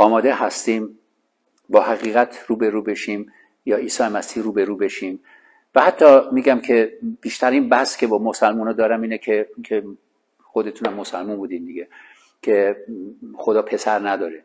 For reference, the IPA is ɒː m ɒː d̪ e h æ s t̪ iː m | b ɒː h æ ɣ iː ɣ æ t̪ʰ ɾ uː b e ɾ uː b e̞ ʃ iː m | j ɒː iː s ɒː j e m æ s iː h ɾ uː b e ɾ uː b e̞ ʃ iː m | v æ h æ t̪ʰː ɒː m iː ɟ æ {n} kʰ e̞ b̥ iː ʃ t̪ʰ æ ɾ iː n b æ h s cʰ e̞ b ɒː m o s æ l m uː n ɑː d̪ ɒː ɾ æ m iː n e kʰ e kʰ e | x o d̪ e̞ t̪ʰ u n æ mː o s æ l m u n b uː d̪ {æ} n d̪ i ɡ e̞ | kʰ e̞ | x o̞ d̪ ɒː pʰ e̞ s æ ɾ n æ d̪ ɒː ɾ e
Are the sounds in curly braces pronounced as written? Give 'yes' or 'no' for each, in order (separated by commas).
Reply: no, no